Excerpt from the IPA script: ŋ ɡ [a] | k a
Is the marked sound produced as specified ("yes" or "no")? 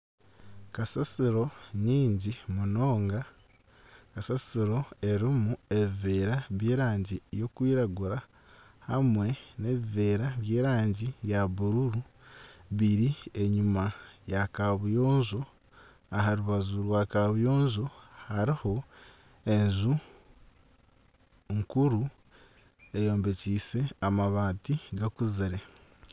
yes